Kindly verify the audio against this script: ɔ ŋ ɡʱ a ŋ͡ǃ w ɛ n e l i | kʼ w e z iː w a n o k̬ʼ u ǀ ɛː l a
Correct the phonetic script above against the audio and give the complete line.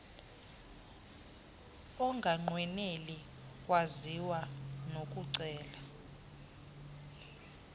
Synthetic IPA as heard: ɔ ŋ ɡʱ a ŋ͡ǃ w ɛ n e l i | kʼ w a z i w a n o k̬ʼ u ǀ ɛː l a

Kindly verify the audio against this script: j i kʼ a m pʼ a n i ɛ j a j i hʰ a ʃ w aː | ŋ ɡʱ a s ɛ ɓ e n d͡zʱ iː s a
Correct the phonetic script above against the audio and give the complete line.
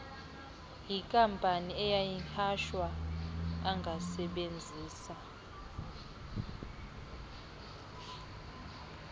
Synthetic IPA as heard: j i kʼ a m pʼ a n i ɛ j a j i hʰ a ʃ w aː | ŋ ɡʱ a s ɛ ɓ e n d͡zʱ iː s a

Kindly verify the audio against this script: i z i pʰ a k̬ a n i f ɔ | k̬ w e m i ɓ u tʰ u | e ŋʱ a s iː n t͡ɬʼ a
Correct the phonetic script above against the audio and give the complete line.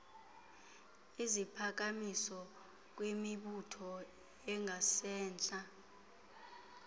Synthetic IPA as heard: i z i pʰ a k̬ a m i s ɔ | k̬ w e m i ɓ u tʰ ɔ | ɛ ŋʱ a s ɛː n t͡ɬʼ a

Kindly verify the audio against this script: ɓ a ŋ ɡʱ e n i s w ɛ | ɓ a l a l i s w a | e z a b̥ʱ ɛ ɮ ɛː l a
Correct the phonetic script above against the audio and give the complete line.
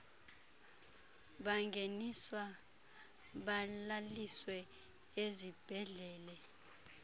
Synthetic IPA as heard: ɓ a ŋ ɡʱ e n i s w a | ɓ a l a l i s w ɛ | e z i b̥ʱ ɛ ɮ ɛː l ɛ

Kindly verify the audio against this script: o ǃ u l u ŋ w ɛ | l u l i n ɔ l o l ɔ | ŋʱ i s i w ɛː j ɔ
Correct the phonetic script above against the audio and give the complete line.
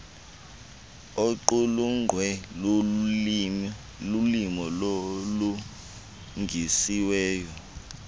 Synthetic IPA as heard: o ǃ u l u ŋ w ɛ | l u l i m ɔ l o l u | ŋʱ i s i w ɛː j ɔ

